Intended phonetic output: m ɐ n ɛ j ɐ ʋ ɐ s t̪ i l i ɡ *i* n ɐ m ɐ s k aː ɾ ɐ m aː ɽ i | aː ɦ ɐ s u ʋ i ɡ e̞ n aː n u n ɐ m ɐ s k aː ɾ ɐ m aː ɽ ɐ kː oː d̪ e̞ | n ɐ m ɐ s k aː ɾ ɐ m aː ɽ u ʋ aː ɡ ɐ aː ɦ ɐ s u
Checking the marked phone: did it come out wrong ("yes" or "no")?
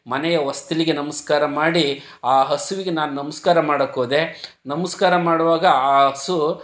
yes